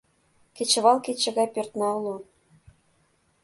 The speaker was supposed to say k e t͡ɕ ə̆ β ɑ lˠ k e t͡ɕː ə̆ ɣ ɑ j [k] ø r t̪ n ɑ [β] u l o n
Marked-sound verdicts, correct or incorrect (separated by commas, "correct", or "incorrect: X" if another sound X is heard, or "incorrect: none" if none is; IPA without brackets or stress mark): incorrect: p, incorrect: none